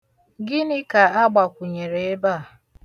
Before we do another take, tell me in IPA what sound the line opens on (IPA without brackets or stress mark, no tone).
ɡ